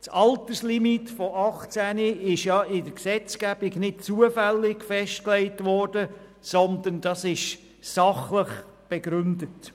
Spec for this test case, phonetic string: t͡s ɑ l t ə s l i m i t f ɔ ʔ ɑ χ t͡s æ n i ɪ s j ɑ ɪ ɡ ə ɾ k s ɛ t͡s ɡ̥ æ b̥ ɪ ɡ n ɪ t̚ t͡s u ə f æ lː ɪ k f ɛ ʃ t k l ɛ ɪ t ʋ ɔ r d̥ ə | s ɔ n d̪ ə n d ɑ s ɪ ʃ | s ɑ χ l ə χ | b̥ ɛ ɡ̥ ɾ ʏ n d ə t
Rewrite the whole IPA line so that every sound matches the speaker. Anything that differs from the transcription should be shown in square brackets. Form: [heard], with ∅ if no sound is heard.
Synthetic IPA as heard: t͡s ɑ l t ə s l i m i t f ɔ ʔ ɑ χ t͡s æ n i ɪ [ʃ] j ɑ ɪ [d] ə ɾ k s ɛ t͡s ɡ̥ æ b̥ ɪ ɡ n ɪ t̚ t͡s u ə f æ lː ɪ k f ɛ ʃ t k l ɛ ɪ t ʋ ɔ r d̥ ə | s ɔ n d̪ ə n d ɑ s ɪ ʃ | s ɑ χ l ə χ | b̥ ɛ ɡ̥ ɾ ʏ n d ə t